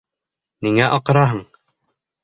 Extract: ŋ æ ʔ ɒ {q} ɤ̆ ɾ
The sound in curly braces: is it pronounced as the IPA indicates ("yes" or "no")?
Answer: yes